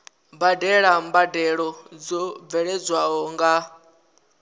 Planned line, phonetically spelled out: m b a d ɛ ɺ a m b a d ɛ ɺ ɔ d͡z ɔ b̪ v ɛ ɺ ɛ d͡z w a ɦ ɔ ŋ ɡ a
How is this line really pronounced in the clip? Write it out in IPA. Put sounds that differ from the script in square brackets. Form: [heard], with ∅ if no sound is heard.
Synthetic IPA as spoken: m b a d ɛ ɺ a m b a d ɛ ɺ ɔ d͡z ɔ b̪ v ɛ ɺ ɛ d͡z w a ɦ ɔ ŋ ɡ a